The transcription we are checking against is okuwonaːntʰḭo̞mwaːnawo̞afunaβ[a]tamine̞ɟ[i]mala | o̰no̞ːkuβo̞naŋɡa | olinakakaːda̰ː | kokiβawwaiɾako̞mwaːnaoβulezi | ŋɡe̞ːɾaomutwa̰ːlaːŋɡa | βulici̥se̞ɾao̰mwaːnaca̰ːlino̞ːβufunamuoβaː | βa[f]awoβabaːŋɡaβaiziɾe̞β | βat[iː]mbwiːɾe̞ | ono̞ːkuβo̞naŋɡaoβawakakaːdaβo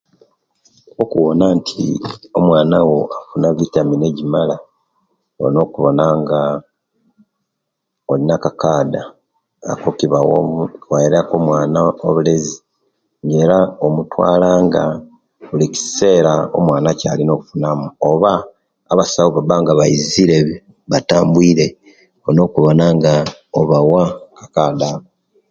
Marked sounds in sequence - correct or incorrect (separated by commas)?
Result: incorrect, correct, incorrect, incorrect